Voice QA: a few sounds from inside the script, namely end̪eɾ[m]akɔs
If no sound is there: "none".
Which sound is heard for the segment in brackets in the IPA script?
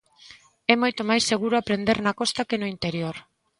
n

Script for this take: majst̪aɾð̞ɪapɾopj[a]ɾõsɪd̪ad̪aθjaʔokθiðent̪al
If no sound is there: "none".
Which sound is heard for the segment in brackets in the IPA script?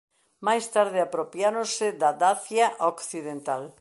a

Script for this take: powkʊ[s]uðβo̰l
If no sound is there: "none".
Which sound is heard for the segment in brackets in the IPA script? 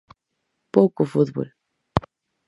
f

